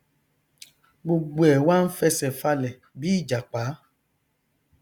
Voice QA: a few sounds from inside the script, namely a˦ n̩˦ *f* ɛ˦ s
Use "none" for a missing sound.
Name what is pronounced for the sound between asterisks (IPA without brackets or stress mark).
f